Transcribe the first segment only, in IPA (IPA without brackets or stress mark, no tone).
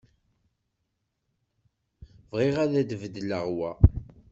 v